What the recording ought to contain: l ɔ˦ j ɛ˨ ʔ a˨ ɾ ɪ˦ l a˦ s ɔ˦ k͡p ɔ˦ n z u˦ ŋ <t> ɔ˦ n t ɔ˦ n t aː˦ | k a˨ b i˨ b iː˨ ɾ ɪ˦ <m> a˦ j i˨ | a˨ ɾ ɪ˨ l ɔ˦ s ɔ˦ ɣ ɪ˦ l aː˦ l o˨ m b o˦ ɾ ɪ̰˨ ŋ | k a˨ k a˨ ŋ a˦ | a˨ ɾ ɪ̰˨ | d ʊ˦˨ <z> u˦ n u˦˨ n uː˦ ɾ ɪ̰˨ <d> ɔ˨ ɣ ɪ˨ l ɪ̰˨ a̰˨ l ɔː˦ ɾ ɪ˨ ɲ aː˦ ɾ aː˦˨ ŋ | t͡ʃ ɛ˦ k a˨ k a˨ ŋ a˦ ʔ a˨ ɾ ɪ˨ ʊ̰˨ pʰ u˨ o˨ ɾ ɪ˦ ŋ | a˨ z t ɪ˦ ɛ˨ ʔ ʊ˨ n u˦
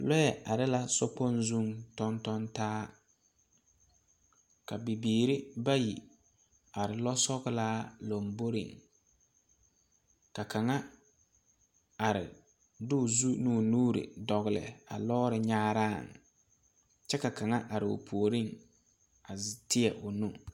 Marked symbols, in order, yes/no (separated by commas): yes, no, yes, yes